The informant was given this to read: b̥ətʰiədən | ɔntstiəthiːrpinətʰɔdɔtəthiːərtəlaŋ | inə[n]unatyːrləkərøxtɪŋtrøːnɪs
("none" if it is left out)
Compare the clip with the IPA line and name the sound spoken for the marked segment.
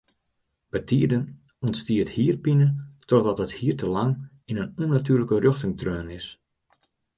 n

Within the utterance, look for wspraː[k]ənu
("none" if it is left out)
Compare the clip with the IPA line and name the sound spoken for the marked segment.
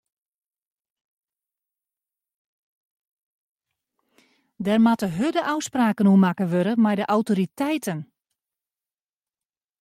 k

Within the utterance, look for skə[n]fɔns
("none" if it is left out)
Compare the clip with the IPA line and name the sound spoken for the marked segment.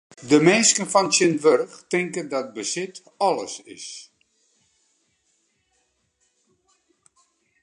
n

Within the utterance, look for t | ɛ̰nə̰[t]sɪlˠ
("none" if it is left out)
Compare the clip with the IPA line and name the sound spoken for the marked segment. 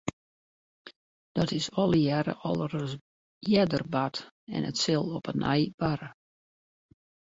t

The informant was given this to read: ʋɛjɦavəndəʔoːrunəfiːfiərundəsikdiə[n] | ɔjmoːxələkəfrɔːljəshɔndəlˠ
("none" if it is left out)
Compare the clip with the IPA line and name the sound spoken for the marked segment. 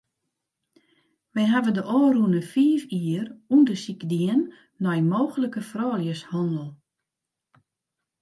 nː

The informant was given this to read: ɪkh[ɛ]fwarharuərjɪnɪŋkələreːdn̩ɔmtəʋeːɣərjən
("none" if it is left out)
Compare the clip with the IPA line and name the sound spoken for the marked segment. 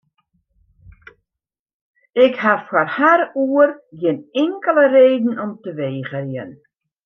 a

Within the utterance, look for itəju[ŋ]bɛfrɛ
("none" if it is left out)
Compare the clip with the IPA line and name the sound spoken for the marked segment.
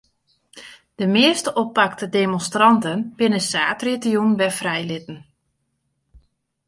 n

